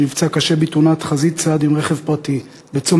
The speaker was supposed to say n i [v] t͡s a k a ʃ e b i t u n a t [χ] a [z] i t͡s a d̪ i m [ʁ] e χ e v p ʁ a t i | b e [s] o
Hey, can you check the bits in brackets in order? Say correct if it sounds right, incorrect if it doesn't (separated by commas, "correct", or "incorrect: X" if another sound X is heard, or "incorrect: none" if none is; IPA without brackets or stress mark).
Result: correct, correct, correct, correct, incorrect: t͡s